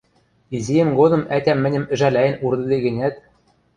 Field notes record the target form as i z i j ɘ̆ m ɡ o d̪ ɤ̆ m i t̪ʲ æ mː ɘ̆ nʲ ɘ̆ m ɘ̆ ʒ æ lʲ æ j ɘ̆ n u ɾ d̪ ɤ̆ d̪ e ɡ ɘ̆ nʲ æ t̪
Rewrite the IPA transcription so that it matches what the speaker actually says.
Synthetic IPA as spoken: i z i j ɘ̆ m ɡ o d̪ ɤ̆ m æ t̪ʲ æ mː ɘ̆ nʲ ɘ̆ m ɘ̆ ʒ æ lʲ æ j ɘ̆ n u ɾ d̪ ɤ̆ d̪ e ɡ ɘ̆ nʲ æ t̪